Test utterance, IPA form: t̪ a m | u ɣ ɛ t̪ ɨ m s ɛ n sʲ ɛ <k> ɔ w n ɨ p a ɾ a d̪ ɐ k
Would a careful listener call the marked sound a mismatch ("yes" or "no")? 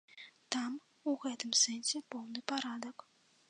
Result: yes